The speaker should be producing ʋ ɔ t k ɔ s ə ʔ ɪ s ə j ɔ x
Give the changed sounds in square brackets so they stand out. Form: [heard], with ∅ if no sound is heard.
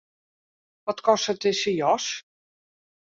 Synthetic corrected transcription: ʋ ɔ t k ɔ s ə [t] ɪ s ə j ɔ [s]

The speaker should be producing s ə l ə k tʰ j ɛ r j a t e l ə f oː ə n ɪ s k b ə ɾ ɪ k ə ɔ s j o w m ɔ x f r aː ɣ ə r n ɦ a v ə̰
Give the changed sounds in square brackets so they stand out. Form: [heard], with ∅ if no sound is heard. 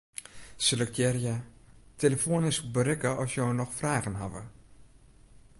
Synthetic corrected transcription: s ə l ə k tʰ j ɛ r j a t e l ə f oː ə n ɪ s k b ə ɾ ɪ k ə ɔ s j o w [n] ɔ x f r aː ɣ ə [∅] n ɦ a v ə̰

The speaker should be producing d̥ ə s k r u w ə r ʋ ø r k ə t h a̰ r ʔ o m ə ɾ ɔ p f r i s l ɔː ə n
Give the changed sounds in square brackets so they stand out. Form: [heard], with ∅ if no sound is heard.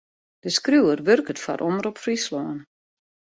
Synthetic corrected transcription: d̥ ə s k r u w ə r ʋ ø r k ə t [f] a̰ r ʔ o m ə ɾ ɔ p f r i s l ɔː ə n

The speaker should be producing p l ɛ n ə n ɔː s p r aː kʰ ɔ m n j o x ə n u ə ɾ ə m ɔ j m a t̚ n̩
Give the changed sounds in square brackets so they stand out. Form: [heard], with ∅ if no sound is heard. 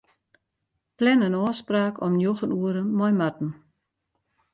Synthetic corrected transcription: p l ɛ n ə n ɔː s p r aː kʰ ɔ m n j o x ə n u ə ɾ ə m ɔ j m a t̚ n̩

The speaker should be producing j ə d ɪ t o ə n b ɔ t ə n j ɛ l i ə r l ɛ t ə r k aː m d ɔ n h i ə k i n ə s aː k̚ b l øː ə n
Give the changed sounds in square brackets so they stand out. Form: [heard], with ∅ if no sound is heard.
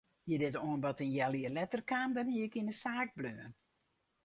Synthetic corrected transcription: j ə d ɪ t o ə n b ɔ t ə n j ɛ l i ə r l ɛ t ə r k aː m d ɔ n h i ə k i n ə s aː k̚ b l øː ə n

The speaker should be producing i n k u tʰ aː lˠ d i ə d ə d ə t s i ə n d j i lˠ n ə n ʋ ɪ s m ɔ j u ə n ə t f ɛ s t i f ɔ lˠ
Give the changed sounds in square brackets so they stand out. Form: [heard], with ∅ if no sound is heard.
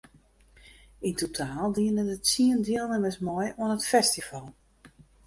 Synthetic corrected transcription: i n [t] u tʰ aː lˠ d i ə [n] ə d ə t s i ə n d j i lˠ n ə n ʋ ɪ s m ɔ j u ə n ə t f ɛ s t i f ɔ lˠ

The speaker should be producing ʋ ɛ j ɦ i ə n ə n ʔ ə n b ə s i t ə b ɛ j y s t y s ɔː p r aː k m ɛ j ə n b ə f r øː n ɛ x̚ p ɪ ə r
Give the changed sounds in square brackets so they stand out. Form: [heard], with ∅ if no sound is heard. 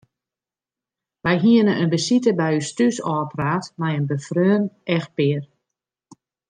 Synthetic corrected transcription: ʋ ɛ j ɦ i ə n ə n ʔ ə n b ə s i t ə b ɛ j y s t y s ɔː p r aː [t] m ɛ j ə n b ə f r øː n ɛ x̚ p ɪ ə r

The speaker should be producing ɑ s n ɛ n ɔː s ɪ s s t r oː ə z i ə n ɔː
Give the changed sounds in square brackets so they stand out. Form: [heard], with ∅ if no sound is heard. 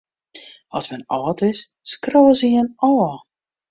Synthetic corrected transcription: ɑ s [m] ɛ n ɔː [t] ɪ s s [k] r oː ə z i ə n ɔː

